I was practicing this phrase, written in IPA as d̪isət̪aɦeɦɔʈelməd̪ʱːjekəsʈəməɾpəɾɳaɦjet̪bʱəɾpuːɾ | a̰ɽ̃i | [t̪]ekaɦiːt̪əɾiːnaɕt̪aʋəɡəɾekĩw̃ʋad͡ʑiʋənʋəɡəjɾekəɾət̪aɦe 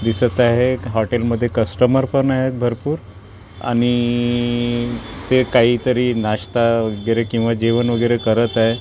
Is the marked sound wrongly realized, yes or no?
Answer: no